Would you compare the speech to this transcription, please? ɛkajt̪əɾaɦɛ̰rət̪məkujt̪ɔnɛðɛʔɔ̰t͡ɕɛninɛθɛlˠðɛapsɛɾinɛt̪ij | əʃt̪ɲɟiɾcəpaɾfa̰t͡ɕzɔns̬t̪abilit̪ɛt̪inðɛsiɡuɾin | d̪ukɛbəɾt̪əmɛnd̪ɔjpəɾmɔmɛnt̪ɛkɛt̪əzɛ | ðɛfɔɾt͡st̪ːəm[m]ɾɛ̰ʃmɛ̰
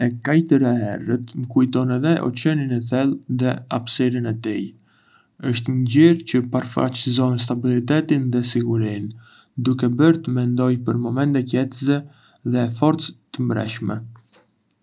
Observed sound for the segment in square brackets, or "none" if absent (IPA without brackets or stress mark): b